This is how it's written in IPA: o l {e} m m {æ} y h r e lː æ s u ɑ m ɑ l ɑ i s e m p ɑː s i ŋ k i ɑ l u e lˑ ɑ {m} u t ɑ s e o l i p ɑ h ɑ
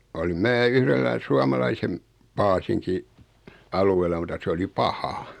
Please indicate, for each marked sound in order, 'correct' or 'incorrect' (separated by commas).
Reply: incorrect, incorrect, correct